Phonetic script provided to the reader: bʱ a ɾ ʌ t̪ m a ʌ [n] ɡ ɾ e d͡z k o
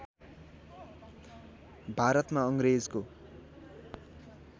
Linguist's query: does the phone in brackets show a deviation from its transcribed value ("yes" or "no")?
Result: yes